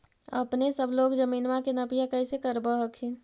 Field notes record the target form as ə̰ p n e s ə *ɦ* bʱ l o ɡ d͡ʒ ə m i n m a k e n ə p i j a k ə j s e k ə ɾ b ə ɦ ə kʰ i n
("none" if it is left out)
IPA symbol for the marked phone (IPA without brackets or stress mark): none